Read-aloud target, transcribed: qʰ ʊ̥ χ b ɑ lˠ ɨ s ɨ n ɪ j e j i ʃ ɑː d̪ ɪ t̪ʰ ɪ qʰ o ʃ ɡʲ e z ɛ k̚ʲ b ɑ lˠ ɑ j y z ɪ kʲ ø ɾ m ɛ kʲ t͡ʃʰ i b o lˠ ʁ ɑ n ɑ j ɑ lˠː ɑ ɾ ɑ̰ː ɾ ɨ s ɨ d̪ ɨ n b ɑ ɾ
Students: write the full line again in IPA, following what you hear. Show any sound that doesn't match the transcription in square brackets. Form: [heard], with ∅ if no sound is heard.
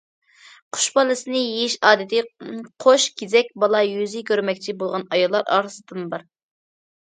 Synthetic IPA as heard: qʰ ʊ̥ [ʃ] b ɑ lˠ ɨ s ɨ n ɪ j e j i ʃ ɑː d̪ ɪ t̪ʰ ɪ qʰ o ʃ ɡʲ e z ɛ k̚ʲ b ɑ lˠ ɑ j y z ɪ kʲ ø ɾ m ɛ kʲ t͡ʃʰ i b o lˠ ʁ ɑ n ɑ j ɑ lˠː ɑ ɾ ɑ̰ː ɾ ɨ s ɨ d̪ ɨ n b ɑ ɾ